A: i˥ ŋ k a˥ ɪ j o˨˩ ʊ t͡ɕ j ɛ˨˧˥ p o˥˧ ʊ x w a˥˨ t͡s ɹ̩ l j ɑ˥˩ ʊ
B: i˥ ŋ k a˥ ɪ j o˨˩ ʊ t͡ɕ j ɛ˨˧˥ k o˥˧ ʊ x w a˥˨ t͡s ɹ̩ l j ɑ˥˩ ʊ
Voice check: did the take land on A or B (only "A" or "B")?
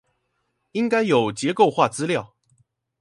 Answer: B